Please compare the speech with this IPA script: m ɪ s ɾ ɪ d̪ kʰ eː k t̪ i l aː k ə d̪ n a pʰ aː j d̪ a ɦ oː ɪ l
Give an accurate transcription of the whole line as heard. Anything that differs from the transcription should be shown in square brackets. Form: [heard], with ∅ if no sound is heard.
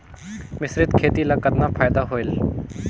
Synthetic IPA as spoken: m ɪ s ɾ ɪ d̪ kʰ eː [∅] t̪ i l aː k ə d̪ n a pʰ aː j d̪ a ɦ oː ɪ l